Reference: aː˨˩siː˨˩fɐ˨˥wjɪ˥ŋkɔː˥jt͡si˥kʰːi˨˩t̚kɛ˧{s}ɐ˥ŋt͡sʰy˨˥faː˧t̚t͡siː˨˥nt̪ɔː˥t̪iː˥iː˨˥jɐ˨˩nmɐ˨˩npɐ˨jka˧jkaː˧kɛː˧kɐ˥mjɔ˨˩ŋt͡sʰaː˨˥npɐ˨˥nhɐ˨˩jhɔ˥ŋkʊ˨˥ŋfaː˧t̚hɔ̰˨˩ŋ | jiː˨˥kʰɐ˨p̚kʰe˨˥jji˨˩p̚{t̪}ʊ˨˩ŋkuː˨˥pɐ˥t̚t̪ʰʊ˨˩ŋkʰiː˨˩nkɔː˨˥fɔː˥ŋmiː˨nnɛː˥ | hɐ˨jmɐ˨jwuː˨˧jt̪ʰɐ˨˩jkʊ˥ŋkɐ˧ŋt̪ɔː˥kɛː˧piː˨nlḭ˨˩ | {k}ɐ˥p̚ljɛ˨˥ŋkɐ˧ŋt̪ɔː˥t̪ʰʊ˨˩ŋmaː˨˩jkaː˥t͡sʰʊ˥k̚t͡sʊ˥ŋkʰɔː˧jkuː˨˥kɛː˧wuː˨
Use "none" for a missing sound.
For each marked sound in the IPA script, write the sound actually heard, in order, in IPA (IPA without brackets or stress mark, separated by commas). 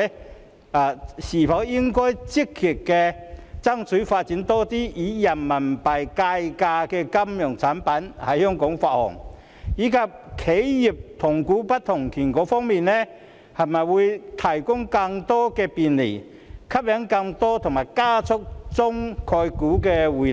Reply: t͡s, t̪ʰ, kʰ